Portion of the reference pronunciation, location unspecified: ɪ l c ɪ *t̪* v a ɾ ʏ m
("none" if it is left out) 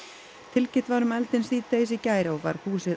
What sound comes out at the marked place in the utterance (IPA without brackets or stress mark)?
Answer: t̪